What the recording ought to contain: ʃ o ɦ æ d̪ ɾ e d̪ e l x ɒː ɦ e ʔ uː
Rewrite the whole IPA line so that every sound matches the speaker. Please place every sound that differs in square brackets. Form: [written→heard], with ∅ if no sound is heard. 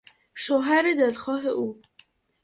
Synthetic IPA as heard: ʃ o ɦ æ [d̪→∅] ɾ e d̪ e l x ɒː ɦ e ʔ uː

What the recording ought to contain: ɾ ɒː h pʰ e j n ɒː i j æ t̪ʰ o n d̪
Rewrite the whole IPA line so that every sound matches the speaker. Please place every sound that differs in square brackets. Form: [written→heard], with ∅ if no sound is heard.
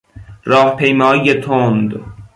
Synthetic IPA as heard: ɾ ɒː h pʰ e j [n→m] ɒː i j [æ→e] t̪ʰ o n d̪

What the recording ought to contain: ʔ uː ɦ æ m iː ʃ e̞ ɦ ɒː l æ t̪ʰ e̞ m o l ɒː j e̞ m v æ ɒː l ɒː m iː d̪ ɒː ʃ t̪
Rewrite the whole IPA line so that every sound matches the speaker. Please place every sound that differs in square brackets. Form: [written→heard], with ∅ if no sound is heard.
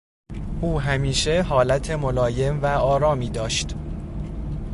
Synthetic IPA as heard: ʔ uː ɦ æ m iː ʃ e̞ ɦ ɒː l æ t̪ʰ e̞ m o l ɒː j e̞ m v æ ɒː [l→ɾ] ɒː m iː d̪ ɒː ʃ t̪

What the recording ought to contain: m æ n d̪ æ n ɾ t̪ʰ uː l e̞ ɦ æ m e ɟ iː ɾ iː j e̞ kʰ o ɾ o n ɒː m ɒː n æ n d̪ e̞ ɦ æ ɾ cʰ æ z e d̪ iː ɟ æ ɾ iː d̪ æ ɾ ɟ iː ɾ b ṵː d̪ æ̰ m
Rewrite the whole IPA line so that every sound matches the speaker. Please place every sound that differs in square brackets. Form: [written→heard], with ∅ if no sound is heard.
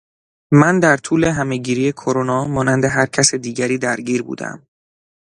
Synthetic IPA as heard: m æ n d̪ æ [n→∅] ɾ t̪ʰ uː l e̞ ɦ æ m e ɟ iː ɾ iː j e̞ kʰ o ɾ o n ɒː m ɒː n æ n d̪ e̞ ɦ æ ɾ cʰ æ [z→s] e d̪ iː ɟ æ ɾ iː d̪ æ ɾ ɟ iː ɾ b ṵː d̪ æ̰ m

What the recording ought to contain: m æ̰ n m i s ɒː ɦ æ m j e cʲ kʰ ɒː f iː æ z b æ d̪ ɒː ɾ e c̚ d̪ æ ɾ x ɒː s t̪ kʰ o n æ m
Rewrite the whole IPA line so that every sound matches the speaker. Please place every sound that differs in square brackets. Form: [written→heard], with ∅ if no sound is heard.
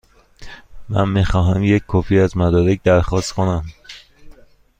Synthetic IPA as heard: m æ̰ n m i [s→x] ɒː ɦ æ m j e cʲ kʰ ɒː f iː æ z [b→m] æ d̪ ɒː ɾ e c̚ d̪ æ ɾ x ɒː s t̪ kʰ o n æ m

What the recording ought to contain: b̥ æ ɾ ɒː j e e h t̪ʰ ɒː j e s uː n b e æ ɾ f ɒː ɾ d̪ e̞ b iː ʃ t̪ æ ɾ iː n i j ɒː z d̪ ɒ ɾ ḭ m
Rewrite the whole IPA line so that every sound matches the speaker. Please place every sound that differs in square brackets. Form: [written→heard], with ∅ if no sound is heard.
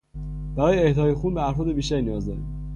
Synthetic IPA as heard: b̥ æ ɾ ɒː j e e h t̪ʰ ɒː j e [s→x] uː n b e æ ɾ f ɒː [ɾ→∅] d̪ e̞ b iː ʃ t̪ æ ɾ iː n i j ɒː z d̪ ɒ ɾ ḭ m

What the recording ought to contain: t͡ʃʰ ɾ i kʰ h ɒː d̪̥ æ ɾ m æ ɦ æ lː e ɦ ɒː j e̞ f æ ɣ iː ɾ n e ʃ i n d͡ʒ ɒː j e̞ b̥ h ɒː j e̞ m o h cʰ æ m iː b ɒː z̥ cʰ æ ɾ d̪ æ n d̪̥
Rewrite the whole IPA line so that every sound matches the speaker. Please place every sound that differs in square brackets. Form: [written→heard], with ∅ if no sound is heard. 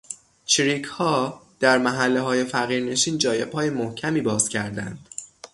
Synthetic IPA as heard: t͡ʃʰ ɾ i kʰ h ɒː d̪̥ æ ɾ m æ ɦ æ lː e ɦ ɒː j e̞ f æ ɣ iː ɾ n e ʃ [i→iː] n d͡ʒ ɒː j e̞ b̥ h ɒː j e̞ m o h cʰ æ m iː b ɒː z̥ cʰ æ ɾ d̪ æ n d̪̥

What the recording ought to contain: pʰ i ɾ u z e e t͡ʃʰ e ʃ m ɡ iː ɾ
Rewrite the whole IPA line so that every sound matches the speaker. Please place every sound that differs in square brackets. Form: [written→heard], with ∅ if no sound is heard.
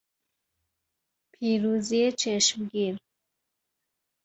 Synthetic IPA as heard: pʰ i ɾ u z [e→i] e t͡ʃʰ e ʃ m ɡ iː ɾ

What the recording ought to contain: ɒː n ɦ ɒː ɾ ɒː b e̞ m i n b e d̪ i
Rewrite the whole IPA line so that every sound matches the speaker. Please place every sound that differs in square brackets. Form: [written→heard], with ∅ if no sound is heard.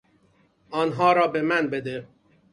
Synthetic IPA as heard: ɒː n ɦ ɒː ɾ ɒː b e̞ m [i→æ] n b e d̪ [i→e]

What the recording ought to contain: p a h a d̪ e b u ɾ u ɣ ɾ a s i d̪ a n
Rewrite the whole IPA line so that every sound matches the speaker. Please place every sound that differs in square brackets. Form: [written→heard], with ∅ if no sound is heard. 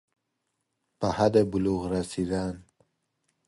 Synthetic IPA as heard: p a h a d̪ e b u [ɾ→l] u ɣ ɾ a s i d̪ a n

